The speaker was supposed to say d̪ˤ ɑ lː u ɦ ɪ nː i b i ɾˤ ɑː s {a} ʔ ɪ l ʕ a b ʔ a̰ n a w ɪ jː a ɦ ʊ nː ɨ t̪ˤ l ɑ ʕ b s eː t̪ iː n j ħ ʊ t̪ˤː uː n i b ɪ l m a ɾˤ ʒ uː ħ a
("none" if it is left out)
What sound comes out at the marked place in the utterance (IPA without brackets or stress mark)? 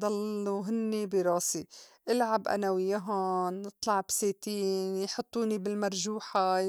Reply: i